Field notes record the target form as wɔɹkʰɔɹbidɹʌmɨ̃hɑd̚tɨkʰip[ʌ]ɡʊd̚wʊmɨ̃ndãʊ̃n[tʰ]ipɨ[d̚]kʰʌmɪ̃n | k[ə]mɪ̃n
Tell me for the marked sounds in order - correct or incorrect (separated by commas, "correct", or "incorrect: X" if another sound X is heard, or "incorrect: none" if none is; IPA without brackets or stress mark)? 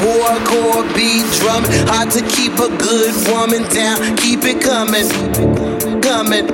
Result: incorrect: ə, incorrect: kʰ, incorrect: t̚, incorrect: ʌ